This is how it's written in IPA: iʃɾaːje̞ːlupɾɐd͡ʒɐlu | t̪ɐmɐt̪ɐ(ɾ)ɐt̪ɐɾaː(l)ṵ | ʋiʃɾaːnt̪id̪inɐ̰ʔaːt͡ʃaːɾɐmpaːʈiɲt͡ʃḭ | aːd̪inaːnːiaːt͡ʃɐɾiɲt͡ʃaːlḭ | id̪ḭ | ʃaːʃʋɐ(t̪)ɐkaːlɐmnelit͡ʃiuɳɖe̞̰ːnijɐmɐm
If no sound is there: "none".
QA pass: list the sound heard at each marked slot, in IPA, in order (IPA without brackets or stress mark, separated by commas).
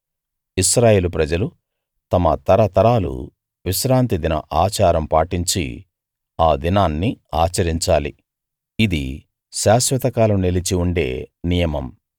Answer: ɾ, l, t̪